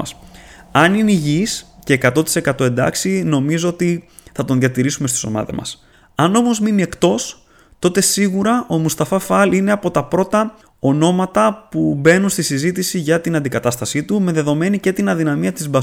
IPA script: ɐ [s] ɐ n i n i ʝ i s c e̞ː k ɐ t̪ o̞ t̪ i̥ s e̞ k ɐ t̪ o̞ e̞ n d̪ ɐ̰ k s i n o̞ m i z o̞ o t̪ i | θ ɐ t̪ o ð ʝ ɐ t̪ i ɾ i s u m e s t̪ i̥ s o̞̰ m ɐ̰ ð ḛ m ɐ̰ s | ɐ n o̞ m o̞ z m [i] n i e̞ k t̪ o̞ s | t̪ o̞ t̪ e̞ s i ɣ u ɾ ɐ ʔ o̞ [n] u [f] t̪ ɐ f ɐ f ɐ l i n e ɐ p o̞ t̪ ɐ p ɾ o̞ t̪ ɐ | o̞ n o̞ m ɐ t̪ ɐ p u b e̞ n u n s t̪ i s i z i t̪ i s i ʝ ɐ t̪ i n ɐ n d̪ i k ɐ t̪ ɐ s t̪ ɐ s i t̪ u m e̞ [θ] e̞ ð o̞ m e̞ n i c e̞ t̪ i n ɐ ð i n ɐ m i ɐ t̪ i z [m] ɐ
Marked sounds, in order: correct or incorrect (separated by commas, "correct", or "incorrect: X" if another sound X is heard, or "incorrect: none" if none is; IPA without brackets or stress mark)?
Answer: correct, correct, incorrect: m, incorrect: s, incorrect: ð, incorrect: b